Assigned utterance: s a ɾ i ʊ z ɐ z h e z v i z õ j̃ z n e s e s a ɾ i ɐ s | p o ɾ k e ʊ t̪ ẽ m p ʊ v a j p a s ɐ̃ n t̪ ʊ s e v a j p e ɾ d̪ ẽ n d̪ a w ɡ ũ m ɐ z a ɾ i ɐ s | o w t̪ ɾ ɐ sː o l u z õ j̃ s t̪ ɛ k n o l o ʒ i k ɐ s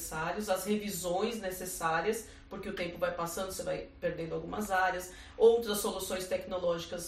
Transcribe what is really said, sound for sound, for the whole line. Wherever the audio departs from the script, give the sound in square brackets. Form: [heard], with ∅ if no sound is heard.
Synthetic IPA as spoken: s a ɾ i ʊ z ɐ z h e [∅] v i z õ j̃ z n e s e s a ɾ i ɐ s | p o ɾ k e ʊ t̪ ẽ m p ʊ v a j p a s ɐ̃ n [d̪] ʊ s e v a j p e ɾ d̪ ẽ n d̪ a w ɡ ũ m ɐ z a ɾ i ɐ s | o w t̪ ɾ ɐ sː o l u [s] õ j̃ s t̪ ɛ k n o l [ɔ] ʒ i k ɐ s